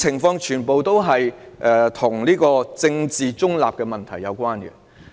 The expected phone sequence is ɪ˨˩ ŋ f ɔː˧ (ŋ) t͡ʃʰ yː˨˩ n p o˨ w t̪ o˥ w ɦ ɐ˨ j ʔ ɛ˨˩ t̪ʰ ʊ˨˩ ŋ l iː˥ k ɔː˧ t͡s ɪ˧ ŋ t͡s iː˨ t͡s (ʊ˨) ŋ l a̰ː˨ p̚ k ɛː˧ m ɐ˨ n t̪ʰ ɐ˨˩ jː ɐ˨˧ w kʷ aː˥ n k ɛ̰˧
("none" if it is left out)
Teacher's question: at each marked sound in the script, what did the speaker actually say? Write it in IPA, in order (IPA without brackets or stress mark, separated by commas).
ŋ, ʊ˥